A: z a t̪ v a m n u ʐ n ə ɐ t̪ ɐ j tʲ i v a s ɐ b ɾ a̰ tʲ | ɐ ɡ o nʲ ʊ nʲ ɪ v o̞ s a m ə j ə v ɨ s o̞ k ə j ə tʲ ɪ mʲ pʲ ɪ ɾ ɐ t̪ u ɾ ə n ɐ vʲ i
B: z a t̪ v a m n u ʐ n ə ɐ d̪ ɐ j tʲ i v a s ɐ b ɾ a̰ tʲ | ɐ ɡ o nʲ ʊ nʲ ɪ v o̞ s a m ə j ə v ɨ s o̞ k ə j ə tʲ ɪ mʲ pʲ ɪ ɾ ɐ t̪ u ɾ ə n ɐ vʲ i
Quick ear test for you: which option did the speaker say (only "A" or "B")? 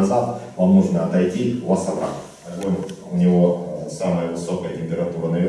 A